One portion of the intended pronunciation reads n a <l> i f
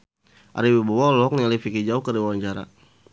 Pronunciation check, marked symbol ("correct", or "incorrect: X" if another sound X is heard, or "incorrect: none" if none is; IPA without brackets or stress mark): correct